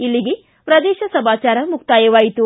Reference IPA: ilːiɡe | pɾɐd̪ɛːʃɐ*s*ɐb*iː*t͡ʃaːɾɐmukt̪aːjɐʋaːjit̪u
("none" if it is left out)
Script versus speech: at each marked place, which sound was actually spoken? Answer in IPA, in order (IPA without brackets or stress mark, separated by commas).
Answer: s, aː